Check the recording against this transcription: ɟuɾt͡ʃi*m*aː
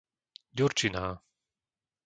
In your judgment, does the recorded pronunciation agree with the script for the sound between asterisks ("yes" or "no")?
no